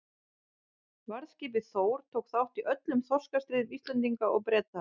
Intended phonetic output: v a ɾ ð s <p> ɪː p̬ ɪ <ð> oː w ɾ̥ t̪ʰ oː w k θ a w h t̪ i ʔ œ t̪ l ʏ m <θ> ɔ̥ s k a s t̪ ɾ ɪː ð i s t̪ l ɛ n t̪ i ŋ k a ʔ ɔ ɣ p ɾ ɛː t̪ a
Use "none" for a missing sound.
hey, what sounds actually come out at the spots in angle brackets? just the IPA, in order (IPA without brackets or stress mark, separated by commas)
c, θ, θ